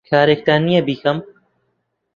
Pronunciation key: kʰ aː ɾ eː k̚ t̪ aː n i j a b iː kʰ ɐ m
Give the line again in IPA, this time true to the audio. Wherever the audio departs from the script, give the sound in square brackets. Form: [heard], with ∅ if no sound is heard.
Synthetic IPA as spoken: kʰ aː ɾ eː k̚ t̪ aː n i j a b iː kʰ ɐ m